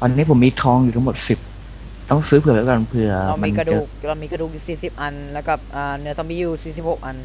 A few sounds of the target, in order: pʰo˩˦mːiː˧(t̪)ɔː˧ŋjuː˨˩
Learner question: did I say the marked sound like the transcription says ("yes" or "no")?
no